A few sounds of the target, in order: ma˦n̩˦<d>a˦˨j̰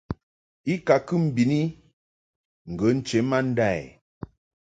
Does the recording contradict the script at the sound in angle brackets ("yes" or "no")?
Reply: no